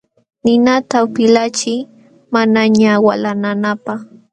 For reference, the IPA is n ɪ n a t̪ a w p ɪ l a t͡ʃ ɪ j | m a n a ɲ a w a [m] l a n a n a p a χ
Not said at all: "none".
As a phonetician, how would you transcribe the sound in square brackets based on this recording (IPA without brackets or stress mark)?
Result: none